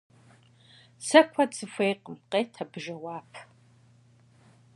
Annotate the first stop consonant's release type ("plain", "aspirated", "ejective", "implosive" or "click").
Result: aspirated